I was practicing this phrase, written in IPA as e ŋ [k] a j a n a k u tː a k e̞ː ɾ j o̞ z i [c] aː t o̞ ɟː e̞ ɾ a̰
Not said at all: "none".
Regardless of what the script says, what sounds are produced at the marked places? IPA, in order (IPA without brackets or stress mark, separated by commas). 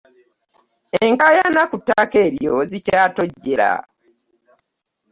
k, c